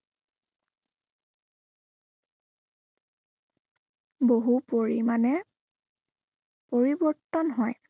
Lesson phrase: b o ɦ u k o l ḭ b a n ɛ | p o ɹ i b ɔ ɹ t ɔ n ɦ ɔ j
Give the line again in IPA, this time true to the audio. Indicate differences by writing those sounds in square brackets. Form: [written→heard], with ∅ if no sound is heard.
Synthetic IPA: b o ɦ u [k→p] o [l→ɹ] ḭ [b→m] a n ɛ | p o ɹ i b ɔ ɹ t ɔ n ɦ ɔ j